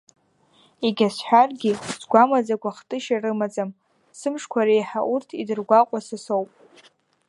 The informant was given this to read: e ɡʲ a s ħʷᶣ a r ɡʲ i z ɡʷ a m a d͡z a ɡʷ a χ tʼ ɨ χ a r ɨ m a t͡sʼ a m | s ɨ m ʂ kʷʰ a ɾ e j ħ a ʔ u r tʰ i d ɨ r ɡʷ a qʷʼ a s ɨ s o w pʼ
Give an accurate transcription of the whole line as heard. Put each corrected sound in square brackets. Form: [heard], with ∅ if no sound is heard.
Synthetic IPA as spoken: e ɡʲ a s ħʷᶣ a r ɡʲ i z ɡʷ a m a d͡z a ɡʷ a χ tʼ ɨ [ʃ] a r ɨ m a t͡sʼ a m | s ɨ m ʂ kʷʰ a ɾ e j ħ a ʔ u r tʰ i d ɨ r ɡʷ a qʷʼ a s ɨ s o w pʼ